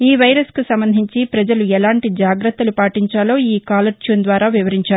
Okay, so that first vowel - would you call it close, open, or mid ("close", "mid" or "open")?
close